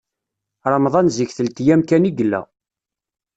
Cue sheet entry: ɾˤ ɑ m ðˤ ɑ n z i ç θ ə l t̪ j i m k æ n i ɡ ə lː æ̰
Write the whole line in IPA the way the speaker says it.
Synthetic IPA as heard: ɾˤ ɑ m ðˤ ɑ n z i ç θ ə l t̪ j æ m k æ n i ɡ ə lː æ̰